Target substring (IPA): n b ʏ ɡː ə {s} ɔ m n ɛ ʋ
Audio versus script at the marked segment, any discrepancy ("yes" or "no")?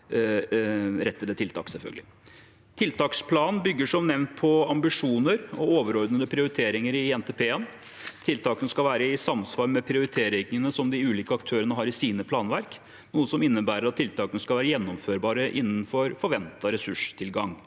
yes